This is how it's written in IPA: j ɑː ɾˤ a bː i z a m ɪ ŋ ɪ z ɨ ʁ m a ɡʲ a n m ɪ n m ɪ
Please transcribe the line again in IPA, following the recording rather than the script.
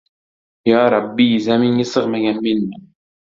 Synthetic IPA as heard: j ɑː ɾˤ ɑ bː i z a m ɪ ŋ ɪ s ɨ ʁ m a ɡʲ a n m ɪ n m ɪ